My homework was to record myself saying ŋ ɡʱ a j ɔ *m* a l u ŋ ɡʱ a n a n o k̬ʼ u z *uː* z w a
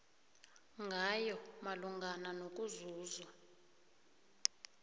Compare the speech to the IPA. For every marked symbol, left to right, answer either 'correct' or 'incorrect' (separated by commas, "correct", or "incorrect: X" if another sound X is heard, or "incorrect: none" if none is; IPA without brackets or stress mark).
correct, correct